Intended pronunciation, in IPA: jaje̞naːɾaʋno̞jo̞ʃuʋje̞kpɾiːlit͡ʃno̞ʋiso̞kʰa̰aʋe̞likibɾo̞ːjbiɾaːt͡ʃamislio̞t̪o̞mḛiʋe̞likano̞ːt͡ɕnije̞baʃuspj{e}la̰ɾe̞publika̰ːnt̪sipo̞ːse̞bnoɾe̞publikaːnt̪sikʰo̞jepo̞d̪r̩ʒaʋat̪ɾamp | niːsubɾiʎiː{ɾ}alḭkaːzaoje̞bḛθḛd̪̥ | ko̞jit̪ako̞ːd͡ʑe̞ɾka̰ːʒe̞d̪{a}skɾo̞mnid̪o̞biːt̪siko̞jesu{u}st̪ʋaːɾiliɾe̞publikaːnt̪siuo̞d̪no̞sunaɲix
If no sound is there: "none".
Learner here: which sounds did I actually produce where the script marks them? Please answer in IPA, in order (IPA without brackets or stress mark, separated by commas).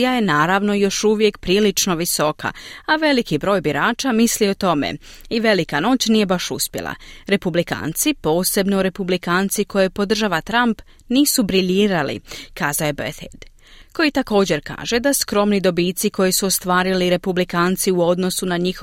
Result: e, ɾ, a, o